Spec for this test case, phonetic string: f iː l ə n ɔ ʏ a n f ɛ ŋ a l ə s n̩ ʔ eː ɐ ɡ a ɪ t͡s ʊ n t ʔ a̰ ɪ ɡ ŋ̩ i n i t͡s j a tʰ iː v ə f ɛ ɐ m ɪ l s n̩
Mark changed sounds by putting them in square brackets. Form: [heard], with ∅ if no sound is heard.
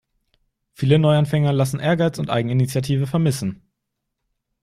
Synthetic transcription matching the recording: f iː l ə n ɔ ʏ a n f ɛ ŋ [ɐ] l [a] s n̩ ʔ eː ɐ ɡ a ɪ t͡s ʊ n t ʔ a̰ ɪ ɡ ŋ̩ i n i t͡s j a tʰ iː v ə f ɛ ɐ m ɪ [∅] s n̩